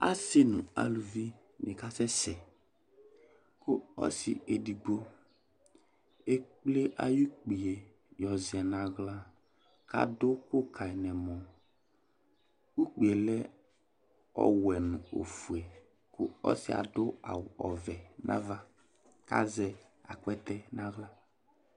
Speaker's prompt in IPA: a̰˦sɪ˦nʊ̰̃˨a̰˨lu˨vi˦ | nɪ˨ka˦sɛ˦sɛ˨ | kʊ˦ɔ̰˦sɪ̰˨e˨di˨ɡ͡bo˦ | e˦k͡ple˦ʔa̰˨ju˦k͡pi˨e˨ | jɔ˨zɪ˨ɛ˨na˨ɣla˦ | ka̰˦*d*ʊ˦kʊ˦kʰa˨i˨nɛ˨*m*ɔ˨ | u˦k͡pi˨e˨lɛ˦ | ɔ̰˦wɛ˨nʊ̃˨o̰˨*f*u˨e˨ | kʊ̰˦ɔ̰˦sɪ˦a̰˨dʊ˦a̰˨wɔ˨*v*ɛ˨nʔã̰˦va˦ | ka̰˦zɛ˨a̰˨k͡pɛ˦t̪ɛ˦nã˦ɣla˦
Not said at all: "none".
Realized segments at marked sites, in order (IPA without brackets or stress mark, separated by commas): d, m, f, v